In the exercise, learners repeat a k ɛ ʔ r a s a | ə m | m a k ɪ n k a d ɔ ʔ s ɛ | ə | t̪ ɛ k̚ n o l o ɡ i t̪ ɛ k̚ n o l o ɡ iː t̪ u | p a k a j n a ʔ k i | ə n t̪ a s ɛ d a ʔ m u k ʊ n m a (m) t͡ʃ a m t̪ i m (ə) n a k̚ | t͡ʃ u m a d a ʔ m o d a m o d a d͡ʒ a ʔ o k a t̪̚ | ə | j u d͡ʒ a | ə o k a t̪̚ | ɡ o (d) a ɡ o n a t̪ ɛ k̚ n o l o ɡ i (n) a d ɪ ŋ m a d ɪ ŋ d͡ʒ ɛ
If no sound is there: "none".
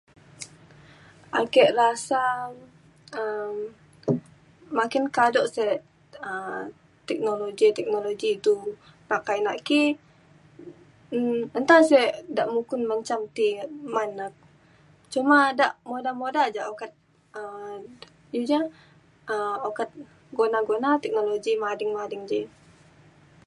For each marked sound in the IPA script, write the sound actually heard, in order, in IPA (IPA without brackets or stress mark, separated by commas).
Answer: ɲ, a, n, m